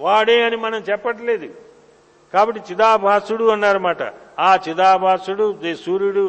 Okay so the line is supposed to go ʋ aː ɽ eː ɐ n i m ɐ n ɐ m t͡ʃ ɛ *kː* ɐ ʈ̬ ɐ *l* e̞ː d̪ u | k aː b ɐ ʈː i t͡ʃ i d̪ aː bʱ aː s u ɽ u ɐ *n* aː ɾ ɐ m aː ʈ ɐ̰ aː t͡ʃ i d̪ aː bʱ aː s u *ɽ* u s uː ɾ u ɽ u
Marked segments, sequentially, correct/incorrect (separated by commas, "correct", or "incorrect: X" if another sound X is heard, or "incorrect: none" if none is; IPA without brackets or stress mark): incorrect: pː, correct, incorrect: nː, correct